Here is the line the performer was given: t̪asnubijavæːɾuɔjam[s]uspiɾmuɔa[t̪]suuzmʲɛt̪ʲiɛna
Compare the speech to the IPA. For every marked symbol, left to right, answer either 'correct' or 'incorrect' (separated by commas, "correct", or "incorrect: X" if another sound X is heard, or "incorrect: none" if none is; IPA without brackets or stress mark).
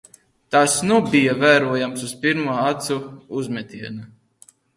correct, correct